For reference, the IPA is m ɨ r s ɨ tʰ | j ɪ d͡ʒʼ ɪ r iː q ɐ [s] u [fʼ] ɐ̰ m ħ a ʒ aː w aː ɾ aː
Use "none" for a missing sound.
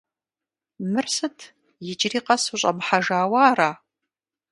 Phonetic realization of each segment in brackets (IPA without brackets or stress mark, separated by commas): s, ɕʼ